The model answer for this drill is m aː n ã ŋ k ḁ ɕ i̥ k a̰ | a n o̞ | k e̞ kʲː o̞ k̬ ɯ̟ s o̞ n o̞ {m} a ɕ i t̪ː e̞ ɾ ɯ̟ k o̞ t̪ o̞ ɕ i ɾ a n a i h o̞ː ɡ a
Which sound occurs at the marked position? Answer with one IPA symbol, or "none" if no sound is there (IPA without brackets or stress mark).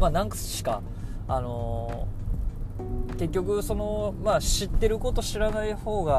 m